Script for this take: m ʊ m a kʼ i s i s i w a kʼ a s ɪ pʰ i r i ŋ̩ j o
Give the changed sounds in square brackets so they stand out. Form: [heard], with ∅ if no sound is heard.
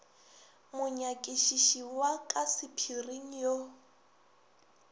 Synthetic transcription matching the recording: m ʊ [ɲ] a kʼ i [ʃ] i [ʃ] i w a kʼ a s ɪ pʰ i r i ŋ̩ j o